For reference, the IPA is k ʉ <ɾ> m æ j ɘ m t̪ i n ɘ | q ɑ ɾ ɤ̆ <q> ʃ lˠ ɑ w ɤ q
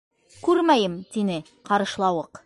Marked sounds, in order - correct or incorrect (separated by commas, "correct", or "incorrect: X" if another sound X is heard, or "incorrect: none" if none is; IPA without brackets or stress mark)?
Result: correct, incorrect: none